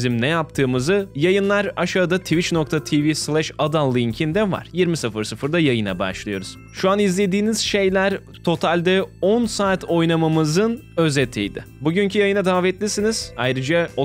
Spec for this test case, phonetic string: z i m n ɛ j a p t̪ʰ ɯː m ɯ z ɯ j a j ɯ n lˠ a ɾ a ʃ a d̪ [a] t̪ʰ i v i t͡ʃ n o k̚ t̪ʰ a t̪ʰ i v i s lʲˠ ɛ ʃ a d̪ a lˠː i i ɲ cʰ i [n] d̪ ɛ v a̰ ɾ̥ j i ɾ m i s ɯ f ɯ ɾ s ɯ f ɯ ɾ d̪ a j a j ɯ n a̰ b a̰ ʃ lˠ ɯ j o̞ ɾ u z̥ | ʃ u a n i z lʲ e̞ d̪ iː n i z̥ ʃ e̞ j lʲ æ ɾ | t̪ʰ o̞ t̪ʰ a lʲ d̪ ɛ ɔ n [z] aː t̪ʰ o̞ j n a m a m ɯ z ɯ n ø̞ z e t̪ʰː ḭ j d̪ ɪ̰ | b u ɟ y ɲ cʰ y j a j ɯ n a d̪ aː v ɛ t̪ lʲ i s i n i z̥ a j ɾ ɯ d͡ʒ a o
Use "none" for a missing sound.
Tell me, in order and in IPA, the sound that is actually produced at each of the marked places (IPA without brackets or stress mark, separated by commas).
a, n, s